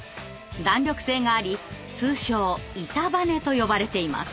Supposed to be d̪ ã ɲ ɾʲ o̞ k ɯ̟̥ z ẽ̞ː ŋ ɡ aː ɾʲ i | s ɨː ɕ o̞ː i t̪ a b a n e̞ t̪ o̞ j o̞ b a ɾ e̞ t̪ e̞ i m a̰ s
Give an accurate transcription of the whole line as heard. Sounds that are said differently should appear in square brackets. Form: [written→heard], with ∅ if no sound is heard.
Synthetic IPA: d̪ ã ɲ ɾʲ o̞ k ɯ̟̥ [z→s] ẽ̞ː ŋ ɡ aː ɾʲ i | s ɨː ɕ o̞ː i t̪ a b a n e̞ t̪ o̞ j o̞ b a ɾ e̞ t̪ e̞ i m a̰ s